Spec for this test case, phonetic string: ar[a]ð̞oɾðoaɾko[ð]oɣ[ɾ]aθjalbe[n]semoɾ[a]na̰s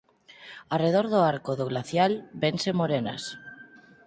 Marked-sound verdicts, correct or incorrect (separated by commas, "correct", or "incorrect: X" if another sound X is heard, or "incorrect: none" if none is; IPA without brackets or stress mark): incorrect: e, correct, incorrect: l, correct, incorrect: e